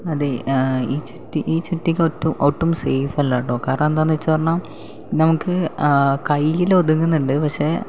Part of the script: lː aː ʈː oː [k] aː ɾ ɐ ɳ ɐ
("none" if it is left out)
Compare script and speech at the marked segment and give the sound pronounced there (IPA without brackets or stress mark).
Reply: k